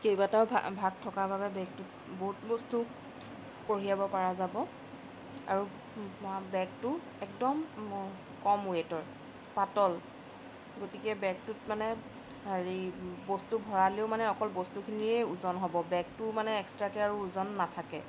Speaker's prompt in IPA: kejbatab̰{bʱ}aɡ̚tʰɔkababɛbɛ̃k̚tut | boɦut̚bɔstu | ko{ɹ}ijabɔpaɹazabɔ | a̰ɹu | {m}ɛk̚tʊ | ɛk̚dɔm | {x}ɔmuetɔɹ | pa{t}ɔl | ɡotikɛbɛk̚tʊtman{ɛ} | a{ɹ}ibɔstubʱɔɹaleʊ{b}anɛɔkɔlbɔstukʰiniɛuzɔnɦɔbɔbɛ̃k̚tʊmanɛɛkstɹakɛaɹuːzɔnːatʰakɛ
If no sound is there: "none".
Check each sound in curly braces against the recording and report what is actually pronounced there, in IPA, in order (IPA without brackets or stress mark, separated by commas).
bʱ, ɹ, b, k, t, ɛ, ɹ, m